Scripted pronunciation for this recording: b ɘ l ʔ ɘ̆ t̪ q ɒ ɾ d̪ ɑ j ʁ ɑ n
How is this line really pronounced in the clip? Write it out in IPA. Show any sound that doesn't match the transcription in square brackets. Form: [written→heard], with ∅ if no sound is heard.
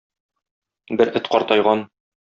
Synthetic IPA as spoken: b ɘ [l→ɾ] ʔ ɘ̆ t̪ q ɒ ɾ [d̪→t̪] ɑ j ʁ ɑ n